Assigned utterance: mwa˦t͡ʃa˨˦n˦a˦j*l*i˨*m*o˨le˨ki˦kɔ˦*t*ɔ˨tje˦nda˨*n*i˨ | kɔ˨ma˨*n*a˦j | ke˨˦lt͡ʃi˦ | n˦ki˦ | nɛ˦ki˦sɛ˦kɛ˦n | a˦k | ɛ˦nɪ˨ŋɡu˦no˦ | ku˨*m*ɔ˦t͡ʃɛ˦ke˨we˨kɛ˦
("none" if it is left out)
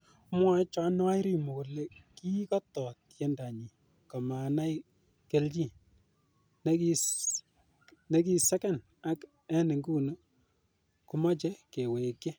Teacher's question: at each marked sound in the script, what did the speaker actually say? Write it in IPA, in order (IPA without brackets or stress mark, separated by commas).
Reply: ɾ, m, t, ɲ, n, m